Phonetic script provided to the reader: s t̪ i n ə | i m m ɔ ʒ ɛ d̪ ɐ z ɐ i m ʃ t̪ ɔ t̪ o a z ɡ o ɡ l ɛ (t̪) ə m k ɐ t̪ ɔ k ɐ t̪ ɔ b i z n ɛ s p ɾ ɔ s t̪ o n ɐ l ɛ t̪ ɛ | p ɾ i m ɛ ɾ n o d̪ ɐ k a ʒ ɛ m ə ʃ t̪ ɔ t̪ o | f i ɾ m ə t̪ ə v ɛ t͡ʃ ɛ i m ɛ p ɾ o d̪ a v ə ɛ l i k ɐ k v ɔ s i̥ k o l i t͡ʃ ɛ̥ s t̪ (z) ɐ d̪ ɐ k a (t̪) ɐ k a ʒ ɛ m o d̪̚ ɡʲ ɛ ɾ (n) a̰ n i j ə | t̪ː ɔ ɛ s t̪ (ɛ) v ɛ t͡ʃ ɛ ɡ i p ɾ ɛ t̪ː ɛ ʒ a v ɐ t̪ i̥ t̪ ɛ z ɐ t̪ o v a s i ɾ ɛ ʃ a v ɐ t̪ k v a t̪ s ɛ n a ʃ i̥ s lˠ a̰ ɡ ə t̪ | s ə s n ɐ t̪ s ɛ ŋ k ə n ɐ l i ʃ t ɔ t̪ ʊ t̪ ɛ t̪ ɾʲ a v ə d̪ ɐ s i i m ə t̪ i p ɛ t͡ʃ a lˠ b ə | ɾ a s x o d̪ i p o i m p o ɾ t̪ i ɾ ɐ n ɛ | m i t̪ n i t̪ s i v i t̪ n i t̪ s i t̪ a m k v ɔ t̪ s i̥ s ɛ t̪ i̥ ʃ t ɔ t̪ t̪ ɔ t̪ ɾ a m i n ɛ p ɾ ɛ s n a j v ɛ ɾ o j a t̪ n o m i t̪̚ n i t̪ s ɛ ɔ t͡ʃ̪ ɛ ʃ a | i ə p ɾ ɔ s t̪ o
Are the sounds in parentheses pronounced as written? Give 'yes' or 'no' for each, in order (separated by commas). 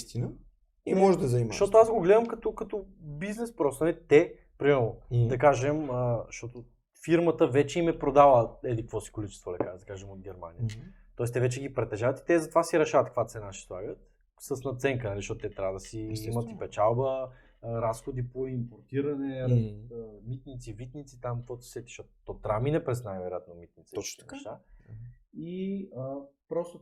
no, no, no, no, yes